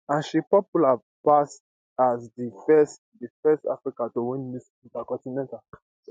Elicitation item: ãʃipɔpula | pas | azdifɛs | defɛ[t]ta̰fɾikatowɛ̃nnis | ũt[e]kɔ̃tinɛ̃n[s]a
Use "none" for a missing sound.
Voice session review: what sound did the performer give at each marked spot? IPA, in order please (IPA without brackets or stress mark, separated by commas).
s, a, t